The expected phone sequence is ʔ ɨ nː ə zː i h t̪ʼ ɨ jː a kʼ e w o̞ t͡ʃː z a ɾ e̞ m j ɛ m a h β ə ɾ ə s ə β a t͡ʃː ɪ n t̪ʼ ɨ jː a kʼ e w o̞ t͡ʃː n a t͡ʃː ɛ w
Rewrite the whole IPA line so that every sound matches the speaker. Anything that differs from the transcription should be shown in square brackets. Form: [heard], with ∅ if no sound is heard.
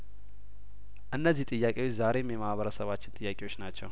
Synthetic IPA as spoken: ʔ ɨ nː ə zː i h t̪ʼ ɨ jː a kʼ e w o̞ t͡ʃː z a ɾ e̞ m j ɛ m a h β ə ɾ ə s ə β a t͡ʃː ɪ n t̪ʼ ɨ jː a kʼ e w o̞ t͡ʃː n a t͡ʃː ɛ w